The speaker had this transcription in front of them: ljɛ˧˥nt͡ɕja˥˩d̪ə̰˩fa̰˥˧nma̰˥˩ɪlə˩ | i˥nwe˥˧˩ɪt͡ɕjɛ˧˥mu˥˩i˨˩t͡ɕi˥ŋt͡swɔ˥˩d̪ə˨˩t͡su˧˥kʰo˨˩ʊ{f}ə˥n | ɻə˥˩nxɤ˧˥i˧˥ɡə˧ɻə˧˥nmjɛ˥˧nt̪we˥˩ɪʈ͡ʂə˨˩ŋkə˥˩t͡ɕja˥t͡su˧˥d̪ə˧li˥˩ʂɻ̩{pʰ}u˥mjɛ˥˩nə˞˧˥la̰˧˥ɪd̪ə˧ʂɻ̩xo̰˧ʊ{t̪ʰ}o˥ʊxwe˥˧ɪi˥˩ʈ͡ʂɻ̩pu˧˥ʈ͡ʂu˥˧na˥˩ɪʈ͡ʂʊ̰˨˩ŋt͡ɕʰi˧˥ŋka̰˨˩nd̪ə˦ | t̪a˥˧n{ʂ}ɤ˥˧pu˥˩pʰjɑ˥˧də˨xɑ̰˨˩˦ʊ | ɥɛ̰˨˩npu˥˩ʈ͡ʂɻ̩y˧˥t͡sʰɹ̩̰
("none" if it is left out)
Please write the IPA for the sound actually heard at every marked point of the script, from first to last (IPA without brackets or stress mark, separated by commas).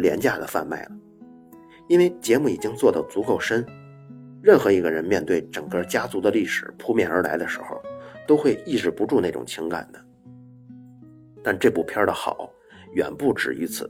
ʂ, pʰ, t̪, ʈ͡ʂ